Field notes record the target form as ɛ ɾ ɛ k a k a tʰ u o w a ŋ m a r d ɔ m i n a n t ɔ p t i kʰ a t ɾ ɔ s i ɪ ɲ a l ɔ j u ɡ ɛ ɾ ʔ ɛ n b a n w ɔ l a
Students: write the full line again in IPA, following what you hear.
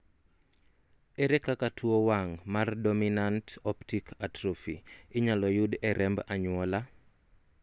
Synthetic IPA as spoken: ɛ ɾ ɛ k a k a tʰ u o w a ŋ m a r d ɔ m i n a n t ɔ p t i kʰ a t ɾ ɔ f i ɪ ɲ a l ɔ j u d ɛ ɾ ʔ ɛ m b a ɲ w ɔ l a